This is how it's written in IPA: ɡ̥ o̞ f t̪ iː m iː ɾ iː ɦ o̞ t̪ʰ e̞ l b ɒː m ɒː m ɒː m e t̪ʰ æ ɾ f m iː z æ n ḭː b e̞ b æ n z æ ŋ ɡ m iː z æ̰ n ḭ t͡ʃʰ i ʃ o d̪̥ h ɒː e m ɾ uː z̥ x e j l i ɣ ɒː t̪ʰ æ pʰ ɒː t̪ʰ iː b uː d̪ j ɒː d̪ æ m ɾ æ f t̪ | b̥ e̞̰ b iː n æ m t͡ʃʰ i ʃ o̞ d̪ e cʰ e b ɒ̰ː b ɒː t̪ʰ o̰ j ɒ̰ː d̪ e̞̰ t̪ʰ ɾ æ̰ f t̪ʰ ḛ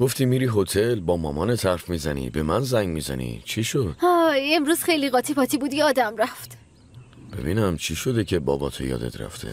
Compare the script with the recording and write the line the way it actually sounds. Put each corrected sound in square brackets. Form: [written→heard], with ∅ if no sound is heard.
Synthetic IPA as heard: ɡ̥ o̞ f t̪ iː m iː ɾ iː ɦ o̞ t̪ʰ e̞ l b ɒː m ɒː m ɒː [m→n] e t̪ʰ æ ɾ f m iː z æ n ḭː b e̞ [b→m] æ n z æ ŋ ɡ m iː z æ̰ n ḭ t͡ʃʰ i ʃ o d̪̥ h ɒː e m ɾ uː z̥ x e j l i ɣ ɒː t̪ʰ [æ→i] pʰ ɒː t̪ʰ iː b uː d̪ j ɒː d̪ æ m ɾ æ f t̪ | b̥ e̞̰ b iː n æ m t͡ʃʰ i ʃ o̞ d̪ e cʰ e b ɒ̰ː b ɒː t̪ʰ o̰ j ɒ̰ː d̪ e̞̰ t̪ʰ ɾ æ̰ f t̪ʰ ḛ